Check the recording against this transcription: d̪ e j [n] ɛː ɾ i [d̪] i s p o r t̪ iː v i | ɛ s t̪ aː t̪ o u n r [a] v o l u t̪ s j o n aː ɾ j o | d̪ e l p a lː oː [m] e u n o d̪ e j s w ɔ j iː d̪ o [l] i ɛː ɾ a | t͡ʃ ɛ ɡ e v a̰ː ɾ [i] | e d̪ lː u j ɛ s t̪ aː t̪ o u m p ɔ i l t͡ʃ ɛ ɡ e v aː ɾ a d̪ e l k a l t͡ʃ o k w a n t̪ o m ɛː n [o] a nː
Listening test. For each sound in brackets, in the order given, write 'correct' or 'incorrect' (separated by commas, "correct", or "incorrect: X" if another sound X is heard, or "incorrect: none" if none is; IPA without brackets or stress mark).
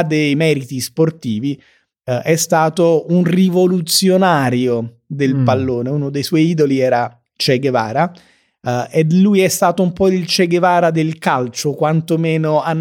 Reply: incorrect: m, incorrect: t̪, incorrect: i, incorrect: n, correct, incorrect: a, correct